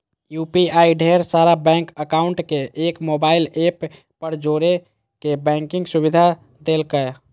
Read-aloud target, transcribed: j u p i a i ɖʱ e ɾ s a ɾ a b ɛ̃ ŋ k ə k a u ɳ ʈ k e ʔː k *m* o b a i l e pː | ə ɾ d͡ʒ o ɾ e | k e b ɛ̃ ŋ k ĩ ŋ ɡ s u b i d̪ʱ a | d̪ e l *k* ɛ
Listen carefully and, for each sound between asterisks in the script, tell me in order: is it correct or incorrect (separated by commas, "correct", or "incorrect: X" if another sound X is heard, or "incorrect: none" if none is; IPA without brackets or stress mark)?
correct, correct